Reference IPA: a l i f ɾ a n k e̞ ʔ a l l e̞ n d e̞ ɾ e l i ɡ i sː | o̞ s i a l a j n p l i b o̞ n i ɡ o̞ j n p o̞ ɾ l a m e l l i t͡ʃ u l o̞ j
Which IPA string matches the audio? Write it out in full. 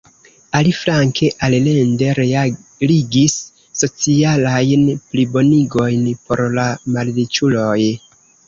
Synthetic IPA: a l i f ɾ a ŋ k e̞ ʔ a l l e̞ n d e̞ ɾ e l i ɡ i sː | o̞ t͡s i a l a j n p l i b o̞ n i ɡ o̞ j n p o̞ ɾ l a m a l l i t͡ʃ u l o̞ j